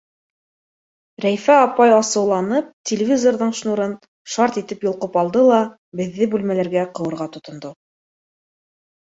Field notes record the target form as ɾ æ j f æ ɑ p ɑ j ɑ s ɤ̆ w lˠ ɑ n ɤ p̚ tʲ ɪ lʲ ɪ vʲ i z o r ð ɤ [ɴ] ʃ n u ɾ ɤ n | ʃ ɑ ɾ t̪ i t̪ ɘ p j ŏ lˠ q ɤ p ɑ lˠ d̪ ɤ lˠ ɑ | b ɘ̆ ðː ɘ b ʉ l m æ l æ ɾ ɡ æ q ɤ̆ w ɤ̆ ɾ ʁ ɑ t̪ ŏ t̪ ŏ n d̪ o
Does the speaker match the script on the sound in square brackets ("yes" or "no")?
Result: yes